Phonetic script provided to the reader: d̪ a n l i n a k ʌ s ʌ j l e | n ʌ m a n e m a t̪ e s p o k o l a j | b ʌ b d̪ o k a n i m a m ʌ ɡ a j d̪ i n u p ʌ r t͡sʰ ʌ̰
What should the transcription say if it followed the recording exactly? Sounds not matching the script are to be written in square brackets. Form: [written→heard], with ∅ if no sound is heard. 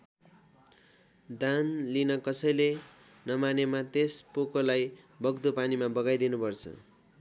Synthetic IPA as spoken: d̪ a n l i n [a→ʌ] k ʌ s ʌ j l e | n ʌ m a n e m a t̪ e s p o k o l a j | b ʌ [b→ɡ] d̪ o [k→p] a n i m a [m→b] ʌ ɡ a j d̪ i n u p ʌ r t͡sʰ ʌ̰